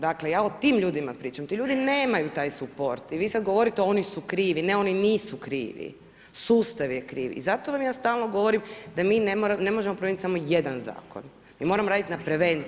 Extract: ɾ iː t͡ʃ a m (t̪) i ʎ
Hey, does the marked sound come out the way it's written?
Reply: yes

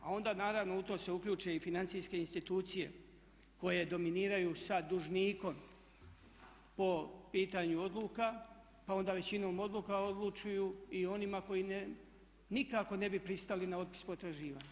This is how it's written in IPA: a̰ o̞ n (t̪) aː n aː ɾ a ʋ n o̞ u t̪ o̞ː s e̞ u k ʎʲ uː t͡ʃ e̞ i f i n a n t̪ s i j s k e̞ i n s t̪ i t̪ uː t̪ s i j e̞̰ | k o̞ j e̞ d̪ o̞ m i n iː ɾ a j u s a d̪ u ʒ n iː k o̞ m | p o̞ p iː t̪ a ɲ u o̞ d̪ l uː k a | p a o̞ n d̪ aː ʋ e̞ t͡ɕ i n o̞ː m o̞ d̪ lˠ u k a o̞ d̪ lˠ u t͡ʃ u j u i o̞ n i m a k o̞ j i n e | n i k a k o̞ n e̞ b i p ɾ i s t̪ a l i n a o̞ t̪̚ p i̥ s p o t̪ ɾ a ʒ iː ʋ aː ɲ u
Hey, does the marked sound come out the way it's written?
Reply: no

